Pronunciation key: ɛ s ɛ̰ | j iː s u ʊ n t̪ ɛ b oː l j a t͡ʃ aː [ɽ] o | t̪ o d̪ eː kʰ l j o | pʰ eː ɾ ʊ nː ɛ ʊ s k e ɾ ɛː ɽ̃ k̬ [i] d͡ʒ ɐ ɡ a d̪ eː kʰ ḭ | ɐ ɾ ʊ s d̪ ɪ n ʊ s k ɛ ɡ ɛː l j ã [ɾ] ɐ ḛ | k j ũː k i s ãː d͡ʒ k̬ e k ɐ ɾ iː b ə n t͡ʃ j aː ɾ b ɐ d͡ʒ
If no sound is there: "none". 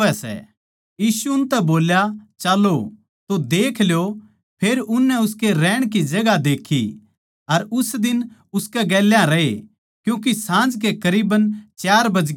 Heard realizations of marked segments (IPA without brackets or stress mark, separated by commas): l, i, ɾ